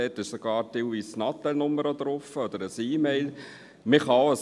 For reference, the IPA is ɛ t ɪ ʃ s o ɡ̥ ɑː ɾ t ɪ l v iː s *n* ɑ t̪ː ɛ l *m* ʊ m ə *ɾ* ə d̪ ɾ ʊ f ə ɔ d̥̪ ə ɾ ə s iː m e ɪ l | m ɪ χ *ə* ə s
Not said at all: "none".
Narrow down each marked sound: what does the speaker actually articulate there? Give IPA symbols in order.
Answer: n, n, ɾ, ɑ

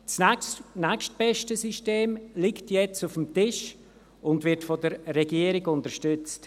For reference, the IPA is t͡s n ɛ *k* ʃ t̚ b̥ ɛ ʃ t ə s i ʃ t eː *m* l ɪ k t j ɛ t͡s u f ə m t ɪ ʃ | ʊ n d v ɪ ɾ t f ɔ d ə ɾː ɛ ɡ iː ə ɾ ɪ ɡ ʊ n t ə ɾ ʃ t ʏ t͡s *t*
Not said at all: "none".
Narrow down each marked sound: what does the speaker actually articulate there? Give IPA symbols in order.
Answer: k, m, t

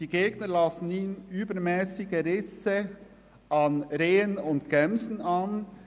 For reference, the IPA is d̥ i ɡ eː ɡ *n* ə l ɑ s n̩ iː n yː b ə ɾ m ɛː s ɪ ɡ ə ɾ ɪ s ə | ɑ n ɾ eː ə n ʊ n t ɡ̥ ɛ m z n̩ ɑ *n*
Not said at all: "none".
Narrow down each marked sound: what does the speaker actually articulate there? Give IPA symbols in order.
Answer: n, n

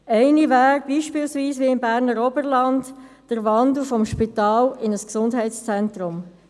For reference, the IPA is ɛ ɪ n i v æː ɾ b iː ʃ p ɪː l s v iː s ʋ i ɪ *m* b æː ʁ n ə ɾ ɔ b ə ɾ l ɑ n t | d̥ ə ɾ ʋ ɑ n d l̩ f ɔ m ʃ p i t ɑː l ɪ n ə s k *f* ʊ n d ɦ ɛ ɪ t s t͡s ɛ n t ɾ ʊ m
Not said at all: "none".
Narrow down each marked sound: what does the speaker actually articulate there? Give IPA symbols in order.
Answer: m, s

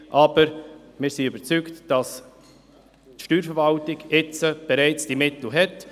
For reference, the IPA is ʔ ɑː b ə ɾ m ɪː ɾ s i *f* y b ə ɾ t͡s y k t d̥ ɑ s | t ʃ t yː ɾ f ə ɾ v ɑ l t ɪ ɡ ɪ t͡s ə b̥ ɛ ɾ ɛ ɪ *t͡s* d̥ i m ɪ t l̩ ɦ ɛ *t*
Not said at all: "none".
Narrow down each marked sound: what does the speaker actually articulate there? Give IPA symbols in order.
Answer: none, t͡s, t

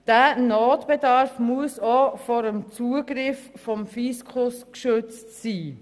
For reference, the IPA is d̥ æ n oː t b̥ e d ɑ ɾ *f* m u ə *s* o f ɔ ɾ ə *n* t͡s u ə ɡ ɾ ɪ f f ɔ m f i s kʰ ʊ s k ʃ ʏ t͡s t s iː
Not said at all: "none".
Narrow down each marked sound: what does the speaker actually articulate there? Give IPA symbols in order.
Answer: f, s, m

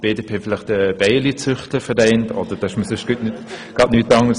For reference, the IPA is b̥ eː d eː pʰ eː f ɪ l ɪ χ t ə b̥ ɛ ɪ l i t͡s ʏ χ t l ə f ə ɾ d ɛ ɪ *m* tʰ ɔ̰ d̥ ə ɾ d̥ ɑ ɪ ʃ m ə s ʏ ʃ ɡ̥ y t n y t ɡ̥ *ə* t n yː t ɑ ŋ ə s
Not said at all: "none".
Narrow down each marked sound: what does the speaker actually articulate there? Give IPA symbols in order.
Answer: n, ɑ

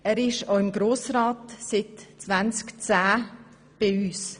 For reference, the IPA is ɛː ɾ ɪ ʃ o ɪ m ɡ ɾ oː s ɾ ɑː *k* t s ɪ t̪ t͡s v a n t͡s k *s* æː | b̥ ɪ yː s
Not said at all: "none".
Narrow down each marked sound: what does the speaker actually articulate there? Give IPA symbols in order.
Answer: none, t͡s

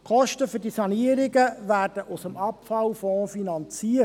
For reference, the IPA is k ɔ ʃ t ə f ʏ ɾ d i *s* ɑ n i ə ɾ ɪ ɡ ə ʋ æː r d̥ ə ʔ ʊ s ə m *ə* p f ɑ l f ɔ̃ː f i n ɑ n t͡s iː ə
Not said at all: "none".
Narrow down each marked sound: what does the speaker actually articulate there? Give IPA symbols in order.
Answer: s, ɑ

